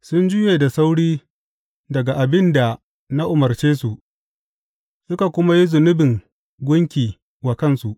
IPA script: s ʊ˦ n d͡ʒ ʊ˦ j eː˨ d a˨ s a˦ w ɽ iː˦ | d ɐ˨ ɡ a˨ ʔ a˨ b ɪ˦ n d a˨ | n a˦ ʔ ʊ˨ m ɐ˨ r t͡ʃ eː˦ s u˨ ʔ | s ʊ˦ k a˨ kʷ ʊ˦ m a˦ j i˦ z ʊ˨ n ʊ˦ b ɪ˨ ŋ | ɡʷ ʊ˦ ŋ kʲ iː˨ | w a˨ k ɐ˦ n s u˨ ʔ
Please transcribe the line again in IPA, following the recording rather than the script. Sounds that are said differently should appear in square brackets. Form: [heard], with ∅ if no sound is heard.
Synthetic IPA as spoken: s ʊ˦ n d͡ʒ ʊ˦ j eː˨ d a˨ s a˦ w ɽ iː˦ | d ɐ˨ ɡ a˨ ʔ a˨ b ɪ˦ n d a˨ | n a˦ ʔ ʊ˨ m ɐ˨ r t͡ʃ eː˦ s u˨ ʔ | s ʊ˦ k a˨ kʷ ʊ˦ m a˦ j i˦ z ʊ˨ n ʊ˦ b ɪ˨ ŋ | ɡʷ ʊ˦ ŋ kʲ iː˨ | w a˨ k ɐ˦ n s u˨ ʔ